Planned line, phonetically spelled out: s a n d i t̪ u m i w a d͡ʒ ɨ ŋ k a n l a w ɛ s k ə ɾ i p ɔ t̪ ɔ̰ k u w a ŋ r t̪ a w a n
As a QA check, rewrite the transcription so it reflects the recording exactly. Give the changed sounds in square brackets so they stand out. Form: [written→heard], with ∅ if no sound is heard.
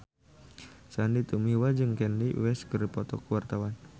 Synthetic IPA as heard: s a n d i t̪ u m i w a d͡ʒ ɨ ŋ k [a→ɛ] n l [a→i] w ɛ s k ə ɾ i p ɔ t̪ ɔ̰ k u w a [ŋ→∅] r t̪ a w a n